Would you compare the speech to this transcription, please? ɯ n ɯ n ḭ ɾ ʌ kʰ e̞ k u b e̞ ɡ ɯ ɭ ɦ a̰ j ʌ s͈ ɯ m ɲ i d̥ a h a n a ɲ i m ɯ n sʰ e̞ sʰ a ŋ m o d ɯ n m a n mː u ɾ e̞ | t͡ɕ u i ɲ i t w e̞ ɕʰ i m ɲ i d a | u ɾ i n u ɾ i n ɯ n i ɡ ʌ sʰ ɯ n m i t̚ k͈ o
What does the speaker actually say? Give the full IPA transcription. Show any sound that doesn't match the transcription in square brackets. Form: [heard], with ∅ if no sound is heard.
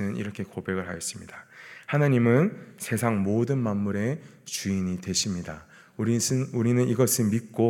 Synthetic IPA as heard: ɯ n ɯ n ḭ ɾ ʌ kʰ e̞ k [o] b e̞ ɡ ɯ ɭ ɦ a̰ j ʌ s͈ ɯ m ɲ i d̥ a h a n a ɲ i m ɯ n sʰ e̞ sʰ a ŋ m o d ɯ n m a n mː u ɾ e̞ | t͡ɕ u i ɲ i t w e̞ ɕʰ i m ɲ i d a | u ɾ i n u ɾ i n ɯ n i ɡ ʌ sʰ ɯ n m i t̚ k͈ o